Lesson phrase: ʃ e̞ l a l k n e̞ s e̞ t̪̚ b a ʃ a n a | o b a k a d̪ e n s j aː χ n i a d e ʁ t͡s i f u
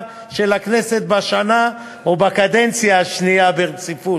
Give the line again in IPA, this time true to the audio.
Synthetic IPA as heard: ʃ e̞ l a k n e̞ s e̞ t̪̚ b a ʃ a n a | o b a k a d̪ e n t͡s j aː ʃ n i a b e ʁ t͡s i f u